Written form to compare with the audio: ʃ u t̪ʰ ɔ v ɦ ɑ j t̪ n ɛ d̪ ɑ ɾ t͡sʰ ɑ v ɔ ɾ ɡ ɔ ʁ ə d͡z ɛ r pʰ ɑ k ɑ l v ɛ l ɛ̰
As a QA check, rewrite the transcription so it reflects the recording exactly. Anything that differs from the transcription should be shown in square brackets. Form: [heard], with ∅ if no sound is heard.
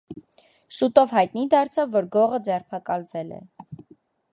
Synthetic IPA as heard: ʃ u [t̪] ɔ v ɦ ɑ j t̪ n [i] d̪ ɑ ɾ t͡sʰ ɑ [vː] ɔ ɾ ɡ ɔ ʁ ə d͡z ɛ r pʰ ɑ k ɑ l v ɛ l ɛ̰